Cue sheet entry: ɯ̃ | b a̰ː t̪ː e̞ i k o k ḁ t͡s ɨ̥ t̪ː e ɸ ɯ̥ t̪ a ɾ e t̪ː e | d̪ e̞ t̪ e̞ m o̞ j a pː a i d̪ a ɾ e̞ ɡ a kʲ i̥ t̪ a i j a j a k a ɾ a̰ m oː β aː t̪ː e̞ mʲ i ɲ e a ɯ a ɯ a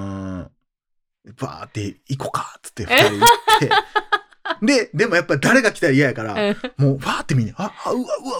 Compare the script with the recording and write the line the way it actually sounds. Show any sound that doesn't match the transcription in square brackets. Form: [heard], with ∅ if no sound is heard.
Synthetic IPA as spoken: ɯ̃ | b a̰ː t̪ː e̞ i k o k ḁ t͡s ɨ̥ t̪ː e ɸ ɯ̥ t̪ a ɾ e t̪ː e | d̪ e̞ [d̪] e̞ m o̞ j a pː a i d̪ a ɾ e̞ ɡ a kʲ i̥ t̪ a i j a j a k a ɾ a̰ m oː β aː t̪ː e̞ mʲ i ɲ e a ɯ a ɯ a